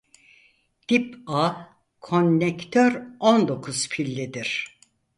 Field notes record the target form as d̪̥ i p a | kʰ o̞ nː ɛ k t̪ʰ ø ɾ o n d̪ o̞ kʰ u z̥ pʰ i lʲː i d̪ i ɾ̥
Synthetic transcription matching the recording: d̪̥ i p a | kʰ o̞ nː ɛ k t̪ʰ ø ɾ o n d̪ o̞ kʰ u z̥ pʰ i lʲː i d̪ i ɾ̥